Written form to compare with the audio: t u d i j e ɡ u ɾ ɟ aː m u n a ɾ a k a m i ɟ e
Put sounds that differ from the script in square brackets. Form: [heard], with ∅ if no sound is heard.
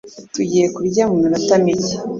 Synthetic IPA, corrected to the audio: t u [ɟ] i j e [k] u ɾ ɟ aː m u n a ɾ a [t] a m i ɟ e